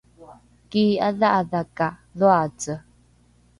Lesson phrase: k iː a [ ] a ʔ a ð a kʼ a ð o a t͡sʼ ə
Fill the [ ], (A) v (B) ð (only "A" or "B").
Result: B